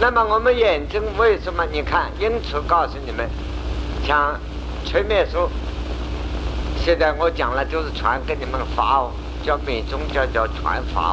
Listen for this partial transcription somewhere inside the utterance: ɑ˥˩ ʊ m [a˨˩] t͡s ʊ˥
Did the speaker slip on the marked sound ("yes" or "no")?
yes